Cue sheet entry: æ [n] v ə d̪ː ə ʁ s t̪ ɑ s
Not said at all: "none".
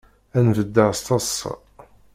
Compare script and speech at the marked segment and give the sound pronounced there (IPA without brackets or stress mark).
n